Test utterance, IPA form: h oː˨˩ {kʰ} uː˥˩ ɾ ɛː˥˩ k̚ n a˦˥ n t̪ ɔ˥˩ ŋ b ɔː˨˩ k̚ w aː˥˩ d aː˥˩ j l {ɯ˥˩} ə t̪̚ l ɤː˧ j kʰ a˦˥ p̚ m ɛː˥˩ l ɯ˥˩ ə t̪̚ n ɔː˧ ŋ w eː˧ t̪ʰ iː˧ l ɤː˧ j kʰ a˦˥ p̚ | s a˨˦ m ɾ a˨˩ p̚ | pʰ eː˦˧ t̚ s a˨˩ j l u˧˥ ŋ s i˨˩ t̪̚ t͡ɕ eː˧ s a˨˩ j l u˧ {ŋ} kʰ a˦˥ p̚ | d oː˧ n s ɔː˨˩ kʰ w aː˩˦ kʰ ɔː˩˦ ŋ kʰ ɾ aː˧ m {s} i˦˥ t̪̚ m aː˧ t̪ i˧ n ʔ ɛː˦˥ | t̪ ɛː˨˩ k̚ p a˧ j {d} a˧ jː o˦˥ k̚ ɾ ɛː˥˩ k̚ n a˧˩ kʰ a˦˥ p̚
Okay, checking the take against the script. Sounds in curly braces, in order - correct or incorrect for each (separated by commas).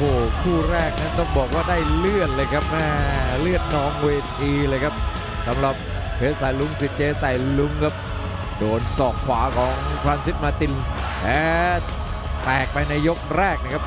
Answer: correct, correct, correct, correct, incorrect